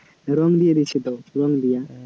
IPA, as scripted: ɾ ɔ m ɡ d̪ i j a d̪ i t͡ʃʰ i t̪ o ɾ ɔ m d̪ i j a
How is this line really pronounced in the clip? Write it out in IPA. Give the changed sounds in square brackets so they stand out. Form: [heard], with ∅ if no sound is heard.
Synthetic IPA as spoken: ɾ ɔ [ŋ] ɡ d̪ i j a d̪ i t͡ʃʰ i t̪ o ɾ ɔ [ŋ] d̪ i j a